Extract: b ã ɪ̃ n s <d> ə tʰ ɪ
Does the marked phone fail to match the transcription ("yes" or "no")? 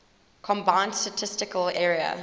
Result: yes